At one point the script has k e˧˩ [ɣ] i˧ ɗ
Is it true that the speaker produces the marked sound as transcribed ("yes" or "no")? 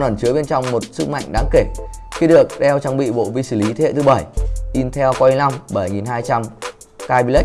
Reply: no